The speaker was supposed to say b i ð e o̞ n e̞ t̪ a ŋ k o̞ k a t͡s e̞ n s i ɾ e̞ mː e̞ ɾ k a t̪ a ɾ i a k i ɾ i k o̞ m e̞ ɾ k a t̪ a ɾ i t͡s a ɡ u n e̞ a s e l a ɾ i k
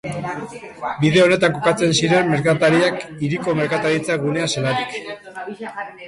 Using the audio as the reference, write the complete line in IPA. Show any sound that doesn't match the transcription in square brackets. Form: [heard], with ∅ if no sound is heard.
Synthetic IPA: b i ð e o̞ n e̞ t̪ a ŋ k o̞ k a t͡s e̞ n s i ɾ e̞ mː e̞ ɾ k a t̪ a ɾ i a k i ɾ i k o̞ m e̞ ɾ k a t̪ a ɾ i t͡s a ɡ u n e̞ a s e l a ɾ i k